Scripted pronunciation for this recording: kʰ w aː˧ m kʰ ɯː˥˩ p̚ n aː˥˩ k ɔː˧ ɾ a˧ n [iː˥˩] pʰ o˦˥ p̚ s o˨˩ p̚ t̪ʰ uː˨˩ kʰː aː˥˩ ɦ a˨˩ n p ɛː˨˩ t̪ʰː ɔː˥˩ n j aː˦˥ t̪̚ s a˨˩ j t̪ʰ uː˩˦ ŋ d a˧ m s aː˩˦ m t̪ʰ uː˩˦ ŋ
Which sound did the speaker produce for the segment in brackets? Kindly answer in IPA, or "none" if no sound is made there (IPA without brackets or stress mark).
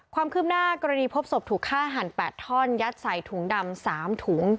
iː˧